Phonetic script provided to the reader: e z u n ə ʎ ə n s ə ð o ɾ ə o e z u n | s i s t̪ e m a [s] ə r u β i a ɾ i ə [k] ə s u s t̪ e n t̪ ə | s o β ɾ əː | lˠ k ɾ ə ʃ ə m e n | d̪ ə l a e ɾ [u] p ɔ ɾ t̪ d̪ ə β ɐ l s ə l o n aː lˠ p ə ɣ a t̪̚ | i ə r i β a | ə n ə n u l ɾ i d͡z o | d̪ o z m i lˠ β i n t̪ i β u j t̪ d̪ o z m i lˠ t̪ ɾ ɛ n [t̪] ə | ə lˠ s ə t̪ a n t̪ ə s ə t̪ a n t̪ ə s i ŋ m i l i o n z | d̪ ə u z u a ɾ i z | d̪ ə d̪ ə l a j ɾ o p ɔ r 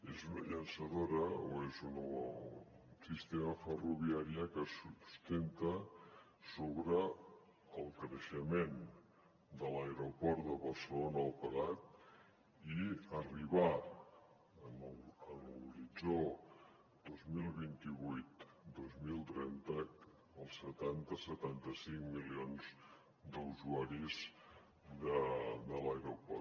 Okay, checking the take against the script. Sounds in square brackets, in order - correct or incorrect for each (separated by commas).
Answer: incorrect, correct, incorrect, correct